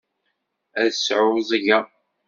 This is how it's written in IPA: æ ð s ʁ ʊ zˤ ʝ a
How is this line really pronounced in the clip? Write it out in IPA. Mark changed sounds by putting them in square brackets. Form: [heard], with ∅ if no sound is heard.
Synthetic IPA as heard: æ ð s [ʕ] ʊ zˤ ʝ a